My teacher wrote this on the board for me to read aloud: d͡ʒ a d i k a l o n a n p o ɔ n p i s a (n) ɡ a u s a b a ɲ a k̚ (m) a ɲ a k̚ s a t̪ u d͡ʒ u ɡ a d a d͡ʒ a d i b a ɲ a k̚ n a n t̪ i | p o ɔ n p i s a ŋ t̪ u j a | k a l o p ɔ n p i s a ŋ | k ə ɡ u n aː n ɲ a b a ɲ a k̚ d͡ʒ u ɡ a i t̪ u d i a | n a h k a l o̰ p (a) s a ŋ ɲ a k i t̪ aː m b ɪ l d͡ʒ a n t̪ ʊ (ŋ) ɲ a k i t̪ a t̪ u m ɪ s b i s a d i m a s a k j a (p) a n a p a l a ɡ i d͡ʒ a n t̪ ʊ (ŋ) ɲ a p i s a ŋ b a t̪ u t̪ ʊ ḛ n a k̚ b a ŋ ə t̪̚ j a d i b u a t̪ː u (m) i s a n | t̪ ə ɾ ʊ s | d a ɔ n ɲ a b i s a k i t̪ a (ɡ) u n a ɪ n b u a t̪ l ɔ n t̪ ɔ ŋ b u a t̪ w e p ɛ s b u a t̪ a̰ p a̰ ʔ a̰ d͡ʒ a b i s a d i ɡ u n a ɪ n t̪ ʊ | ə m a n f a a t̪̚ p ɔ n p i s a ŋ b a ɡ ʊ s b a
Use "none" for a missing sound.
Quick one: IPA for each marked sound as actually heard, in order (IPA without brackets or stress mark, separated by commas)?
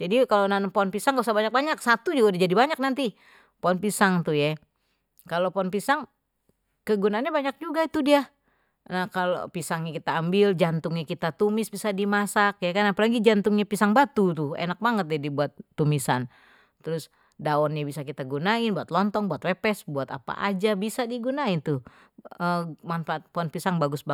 ŋ, b, i, ŋ, k, ŋ, m, ɡ